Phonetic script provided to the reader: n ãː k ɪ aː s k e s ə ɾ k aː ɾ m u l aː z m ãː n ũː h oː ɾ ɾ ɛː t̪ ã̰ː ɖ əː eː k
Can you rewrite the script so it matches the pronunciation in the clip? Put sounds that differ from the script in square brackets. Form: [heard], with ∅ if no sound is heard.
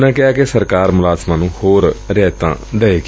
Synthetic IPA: n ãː k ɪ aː [∅] k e s ə ɾ k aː ɾ m [ʊ] l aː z m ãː n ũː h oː ɾ ɾ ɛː t̪ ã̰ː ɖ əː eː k